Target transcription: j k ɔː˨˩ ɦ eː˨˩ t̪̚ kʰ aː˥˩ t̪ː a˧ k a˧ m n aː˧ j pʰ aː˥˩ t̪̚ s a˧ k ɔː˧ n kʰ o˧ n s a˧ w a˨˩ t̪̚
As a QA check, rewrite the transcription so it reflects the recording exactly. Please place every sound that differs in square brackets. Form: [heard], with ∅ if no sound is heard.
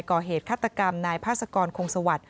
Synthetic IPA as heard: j k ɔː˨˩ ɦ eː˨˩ t̪̚ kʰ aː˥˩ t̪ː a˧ k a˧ m n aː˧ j pʰ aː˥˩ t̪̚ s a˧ k ɔː˧ n kʰ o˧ [ŋ] s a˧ w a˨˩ t̪̚